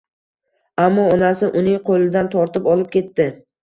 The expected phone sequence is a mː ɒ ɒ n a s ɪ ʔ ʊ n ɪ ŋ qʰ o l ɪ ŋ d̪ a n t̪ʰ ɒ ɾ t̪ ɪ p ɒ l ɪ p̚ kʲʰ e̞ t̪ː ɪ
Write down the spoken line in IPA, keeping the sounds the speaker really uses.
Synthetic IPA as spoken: a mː ɒ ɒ n a s ɪ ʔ ʊ n ɪ ŋ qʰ o l ɪ d̪ a n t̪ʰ ɒ ɾ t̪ ɪ p ɒ l ɪ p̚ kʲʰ e̞ t̪ː ɪ